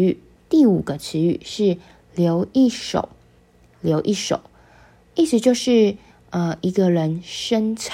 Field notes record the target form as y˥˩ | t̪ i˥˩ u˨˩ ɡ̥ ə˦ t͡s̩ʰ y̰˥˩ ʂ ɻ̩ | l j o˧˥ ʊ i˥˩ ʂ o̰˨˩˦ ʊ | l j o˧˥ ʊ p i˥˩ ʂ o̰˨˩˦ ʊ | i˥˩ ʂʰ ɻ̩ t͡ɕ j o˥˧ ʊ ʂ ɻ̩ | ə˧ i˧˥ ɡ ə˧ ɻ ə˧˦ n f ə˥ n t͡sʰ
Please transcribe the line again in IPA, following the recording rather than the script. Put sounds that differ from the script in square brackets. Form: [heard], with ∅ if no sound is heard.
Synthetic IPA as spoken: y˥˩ | t̪ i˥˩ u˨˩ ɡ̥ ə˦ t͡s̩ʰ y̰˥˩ ʂ ɻ̩ | l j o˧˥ ʊ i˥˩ ʂ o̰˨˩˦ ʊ | l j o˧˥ ʊ [ʔ] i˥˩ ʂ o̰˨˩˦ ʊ | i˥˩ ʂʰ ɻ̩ t͡ɕ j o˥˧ ʊ ʂ ɻ̩ | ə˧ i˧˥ ɡ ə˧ ɻ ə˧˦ n [ʂ] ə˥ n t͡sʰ